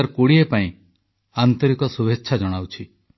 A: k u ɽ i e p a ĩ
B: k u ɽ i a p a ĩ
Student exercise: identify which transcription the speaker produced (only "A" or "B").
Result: A